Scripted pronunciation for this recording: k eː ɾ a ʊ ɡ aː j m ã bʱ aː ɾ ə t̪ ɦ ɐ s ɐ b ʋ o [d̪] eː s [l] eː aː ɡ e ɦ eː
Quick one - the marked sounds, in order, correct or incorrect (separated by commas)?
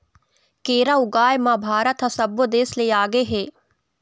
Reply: correct, correct